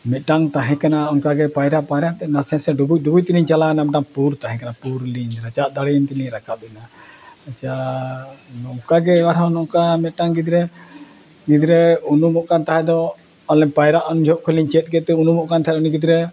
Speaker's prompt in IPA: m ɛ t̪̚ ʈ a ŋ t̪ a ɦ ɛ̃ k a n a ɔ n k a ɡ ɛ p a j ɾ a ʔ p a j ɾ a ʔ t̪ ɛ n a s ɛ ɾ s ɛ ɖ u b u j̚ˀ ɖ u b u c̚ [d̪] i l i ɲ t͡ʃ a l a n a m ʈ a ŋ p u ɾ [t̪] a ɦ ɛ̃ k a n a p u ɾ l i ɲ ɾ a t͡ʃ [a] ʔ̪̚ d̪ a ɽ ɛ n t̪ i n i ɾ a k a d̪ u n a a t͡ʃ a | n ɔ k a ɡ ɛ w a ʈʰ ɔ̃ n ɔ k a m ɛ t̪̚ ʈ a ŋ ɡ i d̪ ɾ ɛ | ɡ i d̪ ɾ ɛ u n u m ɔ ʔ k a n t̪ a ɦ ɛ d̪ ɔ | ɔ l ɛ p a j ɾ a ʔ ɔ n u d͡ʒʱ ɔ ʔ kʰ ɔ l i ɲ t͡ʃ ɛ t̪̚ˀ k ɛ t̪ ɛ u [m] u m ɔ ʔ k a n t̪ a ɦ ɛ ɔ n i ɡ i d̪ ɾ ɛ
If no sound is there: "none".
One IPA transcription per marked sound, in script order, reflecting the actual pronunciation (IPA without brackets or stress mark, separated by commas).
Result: t̪, t̪, a, n